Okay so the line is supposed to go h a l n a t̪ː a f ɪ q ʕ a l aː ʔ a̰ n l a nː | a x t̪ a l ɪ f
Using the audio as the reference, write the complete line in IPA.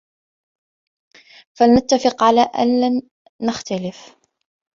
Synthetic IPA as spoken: f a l n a t̪ː a f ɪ q ʕ a l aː ʔ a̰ n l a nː | a x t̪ a l ɪ f

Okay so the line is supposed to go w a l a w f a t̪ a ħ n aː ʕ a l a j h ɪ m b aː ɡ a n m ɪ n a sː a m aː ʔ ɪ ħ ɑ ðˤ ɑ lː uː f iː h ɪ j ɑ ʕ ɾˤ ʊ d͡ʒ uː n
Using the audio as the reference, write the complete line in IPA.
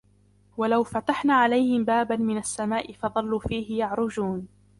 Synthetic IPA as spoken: w a l a w f a t̪ a ħ n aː ʕ a l a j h ɪ m b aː b a n m ɪ n a sː a m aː ʔ ɪ f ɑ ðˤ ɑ lː uː f iː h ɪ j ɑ ʕ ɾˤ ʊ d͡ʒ uː n

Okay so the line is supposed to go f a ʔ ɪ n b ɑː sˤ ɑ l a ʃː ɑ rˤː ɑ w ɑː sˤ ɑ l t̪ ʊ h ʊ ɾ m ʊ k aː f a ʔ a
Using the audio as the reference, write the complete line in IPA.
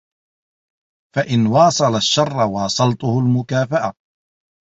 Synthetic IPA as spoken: f a ʔ ɪ n w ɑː sˤ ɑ l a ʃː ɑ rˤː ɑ w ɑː sˤ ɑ l t̪ ʊ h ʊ l m ʊ k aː f a ʔ a

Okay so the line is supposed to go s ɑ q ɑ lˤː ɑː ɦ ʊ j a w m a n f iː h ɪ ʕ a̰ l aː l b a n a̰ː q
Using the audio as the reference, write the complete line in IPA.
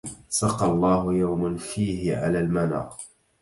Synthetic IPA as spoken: s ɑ q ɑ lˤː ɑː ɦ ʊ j a w m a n f iː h ɪ ʕ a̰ l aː l m a n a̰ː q

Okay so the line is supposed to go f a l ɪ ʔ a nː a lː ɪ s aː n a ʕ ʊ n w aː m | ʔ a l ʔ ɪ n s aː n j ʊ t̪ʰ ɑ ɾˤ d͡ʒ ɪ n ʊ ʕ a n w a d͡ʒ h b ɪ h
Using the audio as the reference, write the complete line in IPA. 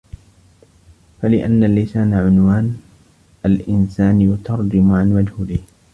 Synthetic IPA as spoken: f a l ɪ ʔ a nː a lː ɪ s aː n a ʕ ʊ n w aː n | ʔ a l ʔ ɪ n s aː n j ʊ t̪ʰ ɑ ɾˤ d͡ʒ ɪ m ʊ ʕ a n w a d͡ʒ h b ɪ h

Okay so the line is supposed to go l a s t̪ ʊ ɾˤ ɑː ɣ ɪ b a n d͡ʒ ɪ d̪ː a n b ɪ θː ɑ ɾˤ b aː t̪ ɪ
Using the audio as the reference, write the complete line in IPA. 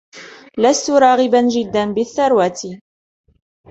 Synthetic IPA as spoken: l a s t̪ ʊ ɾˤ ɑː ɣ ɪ b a n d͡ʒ ɪ d̪ː a n b ɪ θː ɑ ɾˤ w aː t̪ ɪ

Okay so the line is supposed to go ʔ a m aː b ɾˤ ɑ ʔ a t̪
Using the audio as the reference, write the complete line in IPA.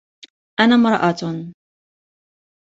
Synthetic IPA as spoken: ʔ a n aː m ɾˤ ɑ ʔ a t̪

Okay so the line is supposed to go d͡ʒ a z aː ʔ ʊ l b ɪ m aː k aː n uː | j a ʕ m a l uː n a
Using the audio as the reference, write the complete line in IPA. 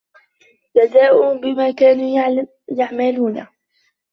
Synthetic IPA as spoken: d͡ʒ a z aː ʔ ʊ b ɪ m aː k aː n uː | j a ʕ m a l uː n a

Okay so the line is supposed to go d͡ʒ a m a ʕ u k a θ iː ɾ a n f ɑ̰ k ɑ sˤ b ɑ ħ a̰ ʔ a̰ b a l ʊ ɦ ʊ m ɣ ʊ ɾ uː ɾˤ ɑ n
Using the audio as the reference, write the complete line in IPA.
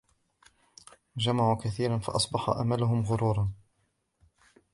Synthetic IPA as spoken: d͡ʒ a m a ʕ u k a θ iː ɾ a n f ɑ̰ ʔ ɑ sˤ b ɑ ħ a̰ ʔ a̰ m a l ʊ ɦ ʊ m ɣ ʊ ɾ uː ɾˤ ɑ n

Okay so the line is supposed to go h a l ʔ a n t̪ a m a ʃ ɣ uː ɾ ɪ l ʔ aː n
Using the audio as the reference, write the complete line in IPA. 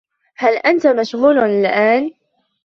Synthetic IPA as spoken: h a l ʔ a n t̪ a m a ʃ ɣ uː l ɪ l ʔ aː n

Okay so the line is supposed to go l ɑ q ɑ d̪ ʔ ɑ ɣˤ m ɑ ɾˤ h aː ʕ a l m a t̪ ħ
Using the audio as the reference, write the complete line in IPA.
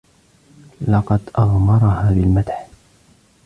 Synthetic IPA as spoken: l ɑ q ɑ d̪ ʔ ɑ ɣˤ m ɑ ɾˤ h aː ð a l m a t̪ ħ

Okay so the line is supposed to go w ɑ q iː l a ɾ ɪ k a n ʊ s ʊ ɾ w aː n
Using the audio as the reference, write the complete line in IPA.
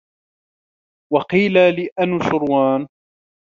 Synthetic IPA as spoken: w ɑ q iː l a l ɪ ʔ a n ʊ ʃ ʊ ɾ w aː n

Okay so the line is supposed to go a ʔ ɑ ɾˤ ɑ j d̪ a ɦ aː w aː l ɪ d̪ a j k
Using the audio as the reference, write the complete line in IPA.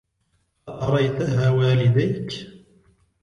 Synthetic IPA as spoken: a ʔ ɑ ɾˤ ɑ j t̪ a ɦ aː w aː l ɪ d̪ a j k

